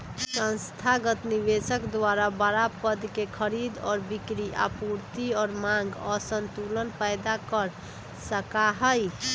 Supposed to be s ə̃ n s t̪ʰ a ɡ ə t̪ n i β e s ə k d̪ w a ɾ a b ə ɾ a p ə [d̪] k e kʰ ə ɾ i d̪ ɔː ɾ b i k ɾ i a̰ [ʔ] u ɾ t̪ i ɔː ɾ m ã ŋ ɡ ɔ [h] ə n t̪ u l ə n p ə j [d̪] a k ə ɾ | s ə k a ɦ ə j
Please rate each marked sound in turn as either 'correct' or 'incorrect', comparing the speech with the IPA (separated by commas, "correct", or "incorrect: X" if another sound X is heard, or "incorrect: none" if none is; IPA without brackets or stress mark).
correct, incorrect: p, incorrect: s, correct